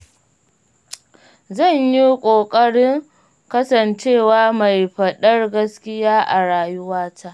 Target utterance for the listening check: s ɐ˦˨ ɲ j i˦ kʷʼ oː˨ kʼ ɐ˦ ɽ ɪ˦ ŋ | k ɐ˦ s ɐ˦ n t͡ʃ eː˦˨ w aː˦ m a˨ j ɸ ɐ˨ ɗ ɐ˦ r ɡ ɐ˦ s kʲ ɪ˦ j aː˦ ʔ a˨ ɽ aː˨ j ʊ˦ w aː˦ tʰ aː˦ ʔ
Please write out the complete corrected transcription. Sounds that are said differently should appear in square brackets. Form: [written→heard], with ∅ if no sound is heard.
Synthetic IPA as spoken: [s→z] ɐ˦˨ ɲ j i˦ kʷʼ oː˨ kʼ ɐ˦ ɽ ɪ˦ ŋ | k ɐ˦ s [ɐ˦→ɐ˨] n t͡ʃ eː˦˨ w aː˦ m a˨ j ɸ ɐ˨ ɗ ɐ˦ r ɡ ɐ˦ s kʲ ɪ˦ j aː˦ ʔ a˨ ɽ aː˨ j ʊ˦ w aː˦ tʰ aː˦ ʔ